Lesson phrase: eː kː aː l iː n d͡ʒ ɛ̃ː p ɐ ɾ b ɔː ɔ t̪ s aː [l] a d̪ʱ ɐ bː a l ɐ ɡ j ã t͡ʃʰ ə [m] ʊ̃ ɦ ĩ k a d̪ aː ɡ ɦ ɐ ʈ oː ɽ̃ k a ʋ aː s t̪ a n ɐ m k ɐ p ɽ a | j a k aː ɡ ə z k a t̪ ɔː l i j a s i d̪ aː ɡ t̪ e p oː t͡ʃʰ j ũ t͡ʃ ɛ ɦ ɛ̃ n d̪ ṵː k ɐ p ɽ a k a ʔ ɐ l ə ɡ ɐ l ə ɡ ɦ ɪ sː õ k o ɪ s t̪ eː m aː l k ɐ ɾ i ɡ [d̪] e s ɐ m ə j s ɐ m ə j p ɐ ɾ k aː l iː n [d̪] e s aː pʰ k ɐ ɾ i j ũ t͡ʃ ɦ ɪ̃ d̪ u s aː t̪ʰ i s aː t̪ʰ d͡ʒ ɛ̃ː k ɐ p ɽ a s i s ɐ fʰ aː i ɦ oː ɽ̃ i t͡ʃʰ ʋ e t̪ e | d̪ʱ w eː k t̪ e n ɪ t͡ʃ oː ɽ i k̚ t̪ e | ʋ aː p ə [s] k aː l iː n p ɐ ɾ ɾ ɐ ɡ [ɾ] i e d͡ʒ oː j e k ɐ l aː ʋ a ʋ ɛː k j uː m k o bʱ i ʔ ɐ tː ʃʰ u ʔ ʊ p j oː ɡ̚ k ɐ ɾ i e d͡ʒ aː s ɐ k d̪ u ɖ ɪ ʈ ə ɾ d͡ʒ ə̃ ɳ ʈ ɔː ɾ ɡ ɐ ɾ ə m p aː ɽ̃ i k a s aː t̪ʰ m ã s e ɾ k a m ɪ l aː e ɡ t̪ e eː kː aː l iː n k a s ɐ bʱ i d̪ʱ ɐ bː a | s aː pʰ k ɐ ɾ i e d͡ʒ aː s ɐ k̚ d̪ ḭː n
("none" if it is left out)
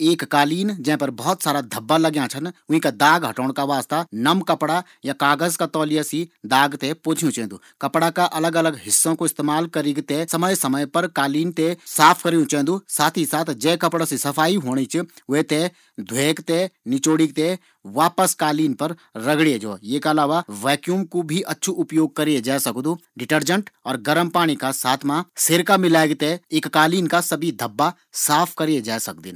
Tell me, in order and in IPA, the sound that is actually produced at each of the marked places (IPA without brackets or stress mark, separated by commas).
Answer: ɾ, n, t̪, t̪, s, ɽ